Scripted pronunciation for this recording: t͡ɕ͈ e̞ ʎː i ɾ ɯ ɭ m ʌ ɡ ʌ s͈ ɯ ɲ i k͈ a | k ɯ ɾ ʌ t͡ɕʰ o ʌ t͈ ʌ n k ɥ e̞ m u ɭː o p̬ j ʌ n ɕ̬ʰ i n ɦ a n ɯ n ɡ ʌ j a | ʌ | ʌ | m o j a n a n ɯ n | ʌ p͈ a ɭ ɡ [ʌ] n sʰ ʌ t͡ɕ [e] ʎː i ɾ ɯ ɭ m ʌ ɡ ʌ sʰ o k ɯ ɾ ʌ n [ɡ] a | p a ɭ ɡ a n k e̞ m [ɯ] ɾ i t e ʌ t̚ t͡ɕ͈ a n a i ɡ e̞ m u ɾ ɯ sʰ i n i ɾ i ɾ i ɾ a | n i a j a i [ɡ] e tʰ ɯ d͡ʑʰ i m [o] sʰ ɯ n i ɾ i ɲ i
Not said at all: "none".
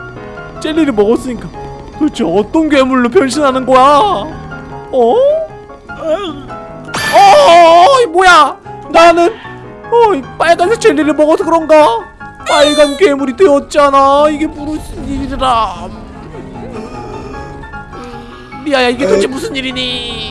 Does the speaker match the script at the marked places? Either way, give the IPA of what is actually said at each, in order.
a, e, ɡ, u, ɡ, u

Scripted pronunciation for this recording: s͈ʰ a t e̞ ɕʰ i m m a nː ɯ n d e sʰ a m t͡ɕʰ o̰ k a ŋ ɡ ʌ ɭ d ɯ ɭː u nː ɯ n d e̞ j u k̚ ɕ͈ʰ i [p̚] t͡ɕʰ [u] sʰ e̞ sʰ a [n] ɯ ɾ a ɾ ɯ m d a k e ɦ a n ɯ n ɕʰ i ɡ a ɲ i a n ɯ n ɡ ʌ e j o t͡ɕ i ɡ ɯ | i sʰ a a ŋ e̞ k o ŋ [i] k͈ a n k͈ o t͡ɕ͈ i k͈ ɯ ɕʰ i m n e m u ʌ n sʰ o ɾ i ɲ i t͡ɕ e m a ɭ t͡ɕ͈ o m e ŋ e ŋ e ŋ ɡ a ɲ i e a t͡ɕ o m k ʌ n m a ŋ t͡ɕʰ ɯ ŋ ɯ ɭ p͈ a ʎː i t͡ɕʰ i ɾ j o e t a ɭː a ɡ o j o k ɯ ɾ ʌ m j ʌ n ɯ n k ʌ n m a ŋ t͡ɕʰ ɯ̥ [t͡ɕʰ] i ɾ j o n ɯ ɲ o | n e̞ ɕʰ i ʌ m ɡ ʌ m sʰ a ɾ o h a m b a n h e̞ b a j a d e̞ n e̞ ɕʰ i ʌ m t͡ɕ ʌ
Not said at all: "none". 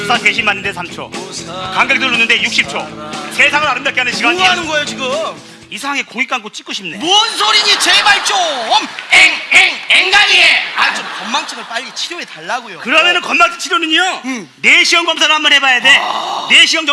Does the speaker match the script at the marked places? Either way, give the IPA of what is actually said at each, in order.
p̚, o, ŋ, i, t͡ɕʰ

